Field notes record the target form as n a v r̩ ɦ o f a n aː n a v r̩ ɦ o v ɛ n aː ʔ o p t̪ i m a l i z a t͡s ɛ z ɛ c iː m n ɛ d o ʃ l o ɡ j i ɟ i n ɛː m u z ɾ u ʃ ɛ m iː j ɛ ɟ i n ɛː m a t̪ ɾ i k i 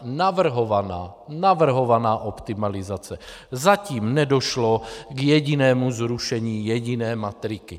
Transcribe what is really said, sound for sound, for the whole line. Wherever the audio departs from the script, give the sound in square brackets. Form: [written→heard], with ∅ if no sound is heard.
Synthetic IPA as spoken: n a v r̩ ɦ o [f→v] a n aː n a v r̩ ɦ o v [ɛ→a] n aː ʔ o p t̪ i m a l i z a t͡s ɛ z [ɛ→a] c iː m n ɛ d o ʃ l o ɡ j [i→ɛ] ɟ i n ɛː m u z ɾ u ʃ ɛ [m→ɲ] iː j ɛ ɟ i n ɛː m a t̪ ɾ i k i

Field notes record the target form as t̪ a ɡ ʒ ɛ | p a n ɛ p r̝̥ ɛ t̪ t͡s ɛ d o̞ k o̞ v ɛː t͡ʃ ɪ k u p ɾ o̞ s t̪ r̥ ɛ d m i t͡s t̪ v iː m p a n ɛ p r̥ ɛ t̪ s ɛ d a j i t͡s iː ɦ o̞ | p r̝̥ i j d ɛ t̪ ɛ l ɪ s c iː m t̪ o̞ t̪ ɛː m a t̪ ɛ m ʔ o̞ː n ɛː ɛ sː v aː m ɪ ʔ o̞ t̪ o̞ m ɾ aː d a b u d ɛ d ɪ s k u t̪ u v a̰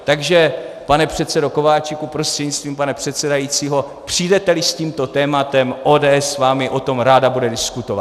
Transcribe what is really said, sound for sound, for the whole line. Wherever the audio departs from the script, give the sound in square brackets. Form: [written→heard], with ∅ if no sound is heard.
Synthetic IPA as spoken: t̪ a ɡ ʒ ɛ | p a n ɛ p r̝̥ ɛ t̪ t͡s ɛ d o̞ k o̞ v [ɛː→aː] t͡ʃ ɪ k u p ɾ o̞ s t̪ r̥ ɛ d [m→ɲ] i t͡s t̪ v iː m p a n ɛ p r̥ ɛ t̪ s ɛ d a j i t͡s iː ɦ o̞ | p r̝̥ i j d ɛ t̪ ɛ l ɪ s c iː m t̪ o̞ t̪ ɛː m a t̪ ɛ m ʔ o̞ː [n→d] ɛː ɛ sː v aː m ɪ ʔ o̞ t̪ o̞ m ɾ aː d a b u d ɛ d ɪ s k u t̪ [u→o] v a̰

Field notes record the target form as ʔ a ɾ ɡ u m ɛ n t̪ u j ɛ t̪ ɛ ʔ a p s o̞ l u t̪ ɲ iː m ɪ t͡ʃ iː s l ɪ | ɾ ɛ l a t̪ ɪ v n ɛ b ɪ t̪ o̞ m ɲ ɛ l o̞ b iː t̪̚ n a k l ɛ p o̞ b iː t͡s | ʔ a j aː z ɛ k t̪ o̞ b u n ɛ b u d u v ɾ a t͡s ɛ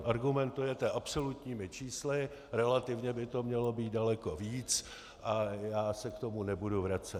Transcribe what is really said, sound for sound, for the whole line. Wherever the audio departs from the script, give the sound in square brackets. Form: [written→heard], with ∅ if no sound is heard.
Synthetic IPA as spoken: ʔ a ɾ ɡ u m ɛ n t̪ u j ɛ t̪ ɛ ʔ a p s o̞ l u t̪ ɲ iː m ɪ t͡ʃ iː s l ɪ | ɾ ɛ l a t̪ ɪ v [n→ɲ] ɛ b ɪ t̪ o̞ m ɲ ɛ l o̞ b iː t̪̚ [n→d] a [k→∅] l ɛ [p→k] o̞ [b→v] iː t͡s | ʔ a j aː [z→s] ɛ k t̪ o̞ [b→m] u n ɛ b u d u v ɾ a t͡s ɛ

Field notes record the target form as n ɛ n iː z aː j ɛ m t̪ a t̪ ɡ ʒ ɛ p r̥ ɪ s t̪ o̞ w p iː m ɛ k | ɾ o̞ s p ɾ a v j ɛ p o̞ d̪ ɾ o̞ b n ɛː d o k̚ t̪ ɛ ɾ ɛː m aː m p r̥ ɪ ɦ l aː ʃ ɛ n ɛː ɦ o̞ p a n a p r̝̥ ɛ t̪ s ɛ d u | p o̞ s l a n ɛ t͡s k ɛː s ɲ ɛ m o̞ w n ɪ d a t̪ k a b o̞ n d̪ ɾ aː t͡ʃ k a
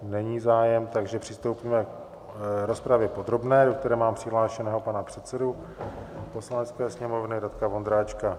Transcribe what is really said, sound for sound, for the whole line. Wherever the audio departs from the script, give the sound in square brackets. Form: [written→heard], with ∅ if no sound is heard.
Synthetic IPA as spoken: n ɛ [n→ɲ] iː z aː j ɛ m t̪ a [t̪→∅] ɡ ʒ ɛ p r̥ ɪ s t̪ o̞ w p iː m ɛ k | ɾ o̞ s p ɾ a v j ɛ p o̞ d̪ ɾ o̞ b n ɛː d o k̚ t̪ ɛ ɾ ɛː m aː m p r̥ ɪ ɦ l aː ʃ ɛ n ɛː ɦ o̞ p a n a p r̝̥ ɛ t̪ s ɛ d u | p o̞ s l a n ɛ t͡s k ɛː s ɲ ɛ m o̞ [w→v] n ɪ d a t̪ k a [b→v] o̞ n d̪ ɾ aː t͡ʃ k a

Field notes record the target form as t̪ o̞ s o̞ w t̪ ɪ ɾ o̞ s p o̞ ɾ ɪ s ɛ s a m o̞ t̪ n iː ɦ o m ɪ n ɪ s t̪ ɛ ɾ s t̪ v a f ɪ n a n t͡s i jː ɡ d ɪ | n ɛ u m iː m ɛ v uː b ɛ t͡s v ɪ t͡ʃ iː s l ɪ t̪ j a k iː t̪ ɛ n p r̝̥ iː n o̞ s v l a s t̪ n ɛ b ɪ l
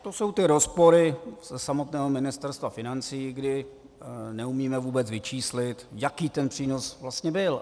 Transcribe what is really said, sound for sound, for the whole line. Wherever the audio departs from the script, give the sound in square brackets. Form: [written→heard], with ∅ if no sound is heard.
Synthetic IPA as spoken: t̪ o̞ s o̞ w t̪ ɪ ɾ o̞ s p o̞ ɾ ɪ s ɛ s a m o̞ t̪ n [iː→ɛː] ɦ o m ɪ n ɪ s t̪ ɛ ɾ s t̪ v a f ɪ n a n t͡s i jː ɡ d ɪ | n ɛ u m iː m ɛ v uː b ɛ t͡s v ɪ t͡ʃ iː s l ɪ t̪ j a k iː t̪ ɛ n p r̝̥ iː n o̞ s v l a s t̪ [n→ɲ] ɛ b ɪ l

